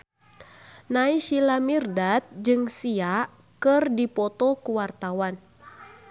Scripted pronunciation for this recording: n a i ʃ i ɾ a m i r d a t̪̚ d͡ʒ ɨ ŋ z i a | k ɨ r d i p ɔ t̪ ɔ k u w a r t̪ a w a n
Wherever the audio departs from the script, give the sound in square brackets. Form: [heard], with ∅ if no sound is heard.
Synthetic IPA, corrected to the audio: n a i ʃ i [l] a m i r d a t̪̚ d͡ʒ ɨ ŋ [s] i a | k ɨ r d i p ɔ t̪ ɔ k u w a r t̪ a w a n